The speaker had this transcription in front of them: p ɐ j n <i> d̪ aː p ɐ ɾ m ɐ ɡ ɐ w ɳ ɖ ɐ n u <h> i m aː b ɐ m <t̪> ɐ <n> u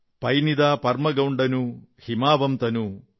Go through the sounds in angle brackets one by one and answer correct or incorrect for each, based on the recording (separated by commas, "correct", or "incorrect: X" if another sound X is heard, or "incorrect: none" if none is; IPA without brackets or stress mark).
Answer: correct, correct, correct, correct